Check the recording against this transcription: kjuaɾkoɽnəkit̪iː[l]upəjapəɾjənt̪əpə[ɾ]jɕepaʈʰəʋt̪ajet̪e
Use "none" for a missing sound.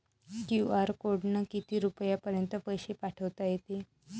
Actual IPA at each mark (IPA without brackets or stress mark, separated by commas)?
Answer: ɾ, none